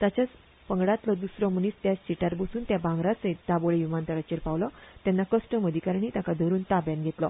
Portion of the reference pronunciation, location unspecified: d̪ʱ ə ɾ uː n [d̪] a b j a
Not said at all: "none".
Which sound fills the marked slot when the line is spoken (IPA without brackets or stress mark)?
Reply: t̪